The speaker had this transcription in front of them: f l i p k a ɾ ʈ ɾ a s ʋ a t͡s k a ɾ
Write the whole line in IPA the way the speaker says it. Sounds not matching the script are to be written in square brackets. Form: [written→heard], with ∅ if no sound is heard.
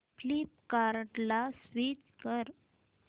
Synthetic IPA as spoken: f l i p k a ɾ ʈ [ɾ→l] a s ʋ [a→i] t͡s k [a→ə] ɾ